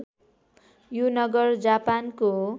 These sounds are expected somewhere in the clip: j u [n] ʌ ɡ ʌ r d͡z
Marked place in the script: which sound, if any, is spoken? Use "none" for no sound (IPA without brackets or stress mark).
n